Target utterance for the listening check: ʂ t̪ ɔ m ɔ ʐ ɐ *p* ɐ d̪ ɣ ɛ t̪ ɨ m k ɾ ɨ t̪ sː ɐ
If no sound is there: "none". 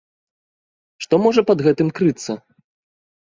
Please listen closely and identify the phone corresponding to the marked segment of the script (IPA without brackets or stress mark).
p